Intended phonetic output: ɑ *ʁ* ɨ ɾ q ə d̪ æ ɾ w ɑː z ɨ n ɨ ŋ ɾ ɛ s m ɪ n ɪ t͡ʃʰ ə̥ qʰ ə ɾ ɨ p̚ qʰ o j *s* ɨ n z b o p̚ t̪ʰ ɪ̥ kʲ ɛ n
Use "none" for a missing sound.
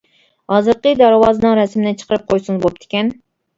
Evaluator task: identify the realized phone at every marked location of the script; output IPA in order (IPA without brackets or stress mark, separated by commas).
z, s